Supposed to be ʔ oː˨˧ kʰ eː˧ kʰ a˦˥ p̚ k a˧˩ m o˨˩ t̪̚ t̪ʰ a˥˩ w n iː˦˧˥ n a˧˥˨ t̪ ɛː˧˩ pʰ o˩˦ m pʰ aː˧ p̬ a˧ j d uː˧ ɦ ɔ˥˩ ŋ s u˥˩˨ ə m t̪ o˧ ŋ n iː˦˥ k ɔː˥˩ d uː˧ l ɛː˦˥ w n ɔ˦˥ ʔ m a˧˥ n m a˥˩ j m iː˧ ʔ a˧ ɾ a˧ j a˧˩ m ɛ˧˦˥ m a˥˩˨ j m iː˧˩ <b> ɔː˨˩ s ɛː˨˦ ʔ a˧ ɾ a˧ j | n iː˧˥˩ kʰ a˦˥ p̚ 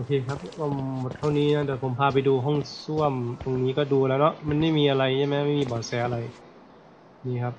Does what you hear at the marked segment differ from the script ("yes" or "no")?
no